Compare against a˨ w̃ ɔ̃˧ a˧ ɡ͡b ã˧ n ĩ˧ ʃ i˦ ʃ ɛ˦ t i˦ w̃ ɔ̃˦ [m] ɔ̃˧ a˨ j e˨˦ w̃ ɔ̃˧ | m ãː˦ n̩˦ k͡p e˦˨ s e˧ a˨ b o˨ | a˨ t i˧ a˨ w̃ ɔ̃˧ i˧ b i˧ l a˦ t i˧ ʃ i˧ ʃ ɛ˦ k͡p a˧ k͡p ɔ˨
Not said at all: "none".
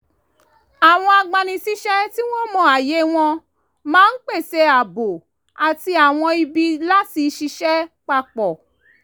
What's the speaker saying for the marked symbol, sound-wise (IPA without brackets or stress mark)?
m